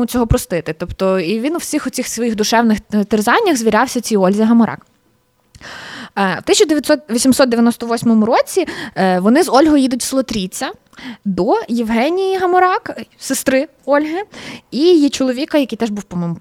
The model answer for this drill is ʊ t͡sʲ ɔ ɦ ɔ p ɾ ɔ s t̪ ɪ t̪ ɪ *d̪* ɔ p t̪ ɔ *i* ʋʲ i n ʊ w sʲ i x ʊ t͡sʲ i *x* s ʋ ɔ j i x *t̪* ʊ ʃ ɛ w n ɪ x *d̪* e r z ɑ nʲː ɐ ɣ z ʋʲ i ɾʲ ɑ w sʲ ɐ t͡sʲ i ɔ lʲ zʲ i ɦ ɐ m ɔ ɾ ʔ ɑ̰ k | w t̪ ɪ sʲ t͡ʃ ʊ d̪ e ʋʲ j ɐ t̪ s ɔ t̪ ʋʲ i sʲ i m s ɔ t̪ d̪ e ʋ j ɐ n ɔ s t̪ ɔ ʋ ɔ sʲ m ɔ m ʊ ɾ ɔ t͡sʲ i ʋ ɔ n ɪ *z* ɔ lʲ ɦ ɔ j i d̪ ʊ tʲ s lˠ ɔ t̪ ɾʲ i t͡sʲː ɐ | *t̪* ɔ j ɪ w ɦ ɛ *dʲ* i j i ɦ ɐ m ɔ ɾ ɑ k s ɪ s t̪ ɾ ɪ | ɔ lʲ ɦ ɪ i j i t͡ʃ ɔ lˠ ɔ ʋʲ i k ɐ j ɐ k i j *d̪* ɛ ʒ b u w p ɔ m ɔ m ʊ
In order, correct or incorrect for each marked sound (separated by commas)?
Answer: incorrect, correct, correct, incorrect, incorrect, correct, incorrect, incorrect, incorrect